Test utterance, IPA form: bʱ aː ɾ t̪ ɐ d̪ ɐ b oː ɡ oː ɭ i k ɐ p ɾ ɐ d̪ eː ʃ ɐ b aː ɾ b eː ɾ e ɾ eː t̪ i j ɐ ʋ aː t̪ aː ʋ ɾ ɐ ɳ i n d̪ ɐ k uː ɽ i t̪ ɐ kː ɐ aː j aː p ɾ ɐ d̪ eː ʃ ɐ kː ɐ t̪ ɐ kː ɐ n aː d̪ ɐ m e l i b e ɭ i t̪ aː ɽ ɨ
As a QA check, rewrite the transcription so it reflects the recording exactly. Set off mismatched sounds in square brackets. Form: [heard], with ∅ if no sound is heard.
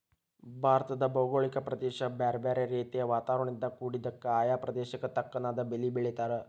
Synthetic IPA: bʱ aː ɾ t̪ ɐ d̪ ɐ b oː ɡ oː ɭ i k ɐ p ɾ ɐ d̪ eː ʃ ɐ b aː ɾ b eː ɾ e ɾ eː t̪ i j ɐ ʋ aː t̪ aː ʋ ɾ ɐ ɳ i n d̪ ɐ k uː ɽ i [d̪] ɐ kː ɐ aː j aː p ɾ ɐ d̪ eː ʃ ɐ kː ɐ t̪ ɐ kː ɐ n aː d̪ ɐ [b] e l i b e ɭ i t̪ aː [ɾ] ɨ